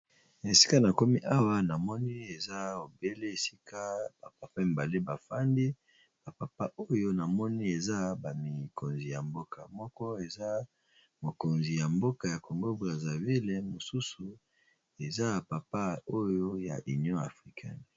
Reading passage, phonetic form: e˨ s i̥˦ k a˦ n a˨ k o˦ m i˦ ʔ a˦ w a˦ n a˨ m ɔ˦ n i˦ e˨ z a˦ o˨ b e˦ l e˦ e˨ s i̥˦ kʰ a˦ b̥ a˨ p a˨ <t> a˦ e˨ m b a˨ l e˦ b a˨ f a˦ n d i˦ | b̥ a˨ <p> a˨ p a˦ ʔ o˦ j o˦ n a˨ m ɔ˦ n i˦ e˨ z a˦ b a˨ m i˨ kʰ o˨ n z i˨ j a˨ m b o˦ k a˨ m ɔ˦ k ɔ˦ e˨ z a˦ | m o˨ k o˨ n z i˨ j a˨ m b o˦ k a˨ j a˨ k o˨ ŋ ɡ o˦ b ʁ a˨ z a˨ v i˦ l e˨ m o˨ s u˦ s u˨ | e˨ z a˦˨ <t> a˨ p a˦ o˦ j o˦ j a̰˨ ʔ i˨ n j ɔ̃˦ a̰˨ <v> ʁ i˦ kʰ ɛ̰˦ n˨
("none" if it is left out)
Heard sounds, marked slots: p, p, p, f

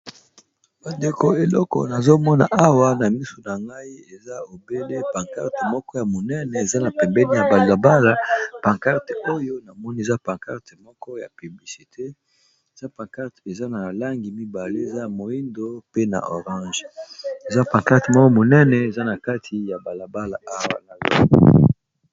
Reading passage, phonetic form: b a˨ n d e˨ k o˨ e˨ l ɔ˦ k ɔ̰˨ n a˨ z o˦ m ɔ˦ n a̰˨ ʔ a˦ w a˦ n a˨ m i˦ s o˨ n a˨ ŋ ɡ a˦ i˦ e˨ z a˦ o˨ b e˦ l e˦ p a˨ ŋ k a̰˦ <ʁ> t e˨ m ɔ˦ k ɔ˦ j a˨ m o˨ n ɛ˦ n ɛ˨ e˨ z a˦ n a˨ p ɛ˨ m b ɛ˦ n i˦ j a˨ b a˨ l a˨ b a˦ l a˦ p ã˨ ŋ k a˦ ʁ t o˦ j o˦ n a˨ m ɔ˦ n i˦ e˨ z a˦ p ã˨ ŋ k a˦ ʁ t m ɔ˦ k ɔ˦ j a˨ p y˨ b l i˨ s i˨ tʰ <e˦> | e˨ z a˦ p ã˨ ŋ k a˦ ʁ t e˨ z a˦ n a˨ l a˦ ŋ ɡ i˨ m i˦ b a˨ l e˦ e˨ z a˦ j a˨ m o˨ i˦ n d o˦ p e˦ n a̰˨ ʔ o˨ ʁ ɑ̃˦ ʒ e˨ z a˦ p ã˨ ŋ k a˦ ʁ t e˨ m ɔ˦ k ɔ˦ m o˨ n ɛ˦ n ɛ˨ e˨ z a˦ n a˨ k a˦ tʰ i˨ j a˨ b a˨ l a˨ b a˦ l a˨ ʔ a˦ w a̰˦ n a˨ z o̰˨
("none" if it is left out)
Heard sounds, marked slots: ʁ, e˦

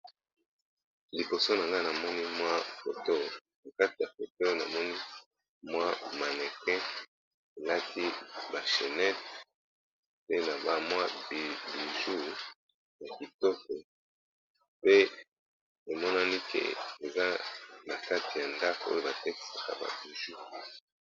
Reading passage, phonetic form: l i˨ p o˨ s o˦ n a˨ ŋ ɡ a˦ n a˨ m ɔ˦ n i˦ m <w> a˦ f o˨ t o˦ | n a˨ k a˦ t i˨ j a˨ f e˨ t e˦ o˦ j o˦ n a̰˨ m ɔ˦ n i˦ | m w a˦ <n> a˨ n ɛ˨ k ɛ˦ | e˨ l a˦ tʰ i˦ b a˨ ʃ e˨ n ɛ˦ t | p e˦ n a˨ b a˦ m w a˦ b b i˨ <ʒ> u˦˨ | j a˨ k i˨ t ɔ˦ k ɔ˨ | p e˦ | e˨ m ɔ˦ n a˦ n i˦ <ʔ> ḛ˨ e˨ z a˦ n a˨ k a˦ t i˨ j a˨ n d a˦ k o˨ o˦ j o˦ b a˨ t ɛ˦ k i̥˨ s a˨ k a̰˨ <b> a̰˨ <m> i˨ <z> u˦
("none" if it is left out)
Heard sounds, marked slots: w, m, ʒ, k, b, b, ʒ

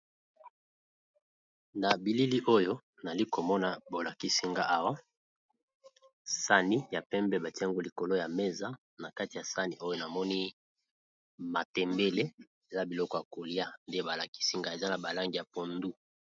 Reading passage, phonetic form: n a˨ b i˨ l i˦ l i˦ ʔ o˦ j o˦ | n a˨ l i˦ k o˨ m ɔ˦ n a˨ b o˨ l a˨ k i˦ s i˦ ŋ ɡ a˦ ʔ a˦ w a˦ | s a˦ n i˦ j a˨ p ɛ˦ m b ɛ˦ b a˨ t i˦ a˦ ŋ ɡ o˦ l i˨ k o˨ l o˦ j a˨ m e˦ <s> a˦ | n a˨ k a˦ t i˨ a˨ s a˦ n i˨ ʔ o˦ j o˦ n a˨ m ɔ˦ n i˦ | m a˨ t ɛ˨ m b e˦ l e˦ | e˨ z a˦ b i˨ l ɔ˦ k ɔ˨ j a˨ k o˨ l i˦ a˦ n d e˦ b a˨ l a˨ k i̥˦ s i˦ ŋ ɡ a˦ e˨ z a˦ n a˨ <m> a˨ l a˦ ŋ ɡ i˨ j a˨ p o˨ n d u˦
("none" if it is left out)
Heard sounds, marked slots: z, b

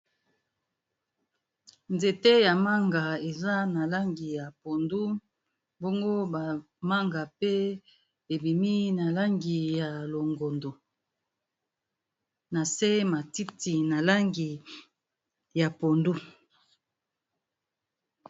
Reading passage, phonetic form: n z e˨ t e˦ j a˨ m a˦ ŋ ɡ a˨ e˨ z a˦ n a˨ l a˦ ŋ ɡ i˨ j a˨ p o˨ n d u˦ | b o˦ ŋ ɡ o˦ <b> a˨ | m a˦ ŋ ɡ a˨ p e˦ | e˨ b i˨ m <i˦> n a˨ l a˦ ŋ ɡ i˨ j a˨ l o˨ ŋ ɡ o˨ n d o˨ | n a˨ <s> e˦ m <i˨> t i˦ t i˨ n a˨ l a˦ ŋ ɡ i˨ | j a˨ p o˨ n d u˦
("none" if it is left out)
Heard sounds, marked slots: b, i˦, s, a˨

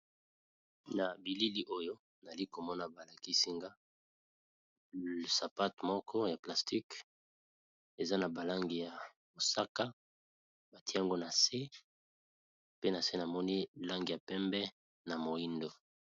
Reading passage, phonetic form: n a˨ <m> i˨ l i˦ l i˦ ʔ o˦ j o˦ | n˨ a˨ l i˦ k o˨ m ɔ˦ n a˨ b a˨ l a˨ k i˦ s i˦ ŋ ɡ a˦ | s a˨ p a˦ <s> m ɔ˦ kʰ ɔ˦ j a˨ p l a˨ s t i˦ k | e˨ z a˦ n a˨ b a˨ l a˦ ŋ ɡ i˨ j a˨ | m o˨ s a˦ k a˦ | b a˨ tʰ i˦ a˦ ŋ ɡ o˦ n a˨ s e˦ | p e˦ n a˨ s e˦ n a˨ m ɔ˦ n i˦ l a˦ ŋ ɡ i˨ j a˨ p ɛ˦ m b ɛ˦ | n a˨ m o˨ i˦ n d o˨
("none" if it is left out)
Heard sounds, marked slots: b, t

